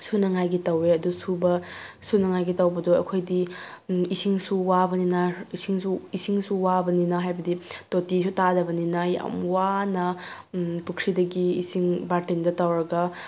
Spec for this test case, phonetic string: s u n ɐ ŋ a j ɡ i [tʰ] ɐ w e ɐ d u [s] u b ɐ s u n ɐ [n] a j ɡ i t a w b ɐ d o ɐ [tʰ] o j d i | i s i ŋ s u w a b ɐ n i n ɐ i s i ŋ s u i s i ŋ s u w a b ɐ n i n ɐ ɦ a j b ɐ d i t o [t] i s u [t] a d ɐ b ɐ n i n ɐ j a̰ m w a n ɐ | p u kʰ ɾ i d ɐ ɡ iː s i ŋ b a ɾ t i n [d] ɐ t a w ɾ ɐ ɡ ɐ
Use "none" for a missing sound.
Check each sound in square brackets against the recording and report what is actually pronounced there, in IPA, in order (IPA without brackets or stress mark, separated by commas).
t, s, ŋ, kʰ, t, t, d